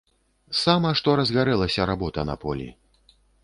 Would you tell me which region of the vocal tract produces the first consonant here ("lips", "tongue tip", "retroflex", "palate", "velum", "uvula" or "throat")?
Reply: tongue tip